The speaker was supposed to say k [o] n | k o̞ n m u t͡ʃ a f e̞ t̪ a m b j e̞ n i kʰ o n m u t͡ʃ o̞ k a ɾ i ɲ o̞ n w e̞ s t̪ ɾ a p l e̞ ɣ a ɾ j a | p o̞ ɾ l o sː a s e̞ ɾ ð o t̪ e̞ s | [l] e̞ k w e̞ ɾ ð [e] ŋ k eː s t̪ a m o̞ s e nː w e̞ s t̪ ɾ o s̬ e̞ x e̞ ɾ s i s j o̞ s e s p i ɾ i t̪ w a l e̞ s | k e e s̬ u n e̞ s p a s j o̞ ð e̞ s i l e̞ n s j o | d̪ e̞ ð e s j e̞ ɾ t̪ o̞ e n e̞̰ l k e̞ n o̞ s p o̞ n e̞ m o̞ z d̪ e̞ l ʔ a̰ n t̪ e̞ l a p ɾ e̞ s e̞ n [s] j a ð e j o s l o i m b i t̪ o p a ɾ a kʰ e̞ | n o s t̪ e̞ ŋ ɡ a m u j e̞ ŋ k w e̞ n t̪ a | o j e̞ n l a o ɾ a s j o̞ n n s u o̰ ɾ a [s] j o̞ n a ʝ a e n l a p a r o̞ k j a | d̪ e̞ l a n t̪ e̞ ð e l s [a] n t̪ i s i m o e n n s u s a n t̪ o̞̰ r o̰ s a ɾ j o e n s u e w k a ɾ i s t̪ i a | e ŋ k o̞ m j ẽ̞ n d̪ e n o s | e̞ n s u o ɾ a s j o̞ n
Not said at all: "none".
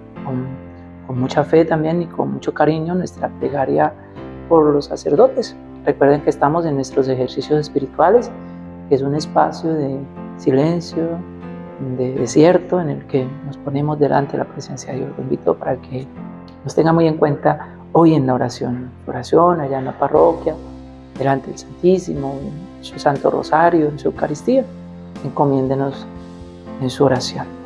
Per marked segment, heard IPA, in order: o, r, e, s, s, a

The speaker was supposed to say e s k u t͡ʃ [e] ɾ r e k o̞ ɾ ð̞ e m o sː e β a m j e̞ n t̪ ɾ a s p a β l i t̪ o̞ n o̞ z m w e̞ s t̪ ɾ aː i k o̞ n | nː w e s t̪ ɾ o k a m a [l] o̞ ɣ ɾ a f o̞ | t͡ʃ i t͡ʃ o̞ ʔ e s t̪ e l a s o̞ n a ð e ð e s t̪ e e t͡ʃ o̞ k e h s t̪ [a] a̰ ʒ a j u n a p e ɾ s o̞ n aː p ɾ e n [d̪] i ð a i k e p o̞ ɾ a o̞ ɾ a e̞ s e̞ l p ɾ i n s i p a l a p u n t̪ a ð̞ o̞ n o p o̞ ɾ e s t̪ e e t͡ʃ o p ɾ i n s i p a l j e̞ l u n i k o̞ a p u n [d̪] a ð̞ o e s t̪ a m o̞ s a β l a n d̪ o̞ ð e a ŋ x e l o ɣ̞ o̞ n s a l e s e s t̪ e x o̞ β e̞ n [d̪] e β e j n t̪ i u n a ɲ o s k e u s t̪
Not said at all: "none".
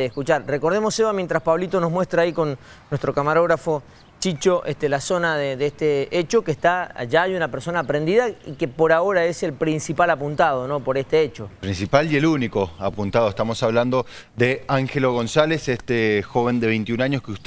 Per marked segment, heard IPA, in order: a, ɾ, a, d̪, t̪, d̪

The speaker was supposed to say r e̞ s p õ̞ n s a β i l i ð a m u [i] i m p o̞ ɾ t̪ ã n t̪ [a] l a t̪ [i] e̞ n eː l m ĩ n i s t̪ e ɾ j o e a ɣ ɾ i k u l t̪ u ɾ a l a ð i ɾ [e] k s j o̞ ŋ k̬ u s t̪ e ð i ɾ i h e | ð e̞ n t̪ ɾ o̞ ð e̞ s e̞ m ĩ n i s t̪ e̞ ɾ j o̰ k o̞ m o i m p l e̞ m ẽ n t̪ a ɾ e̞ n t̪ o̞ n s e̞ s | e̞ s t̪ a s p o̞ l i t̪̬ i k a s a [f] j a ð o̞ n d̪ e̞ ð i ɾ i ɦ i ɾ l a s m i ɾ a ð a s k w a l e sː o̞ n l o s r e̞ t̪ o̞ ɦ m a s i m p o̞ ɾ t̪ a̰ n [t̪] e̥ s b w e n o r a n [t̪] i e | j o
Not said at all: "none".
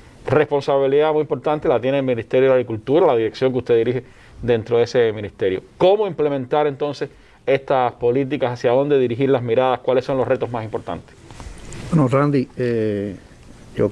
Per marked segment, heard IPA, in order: j, e, j, e, s, t̪, d̪

